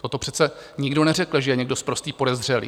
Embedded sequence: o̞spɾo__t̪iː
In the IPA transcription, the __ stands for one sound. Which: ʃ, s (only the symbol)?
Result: s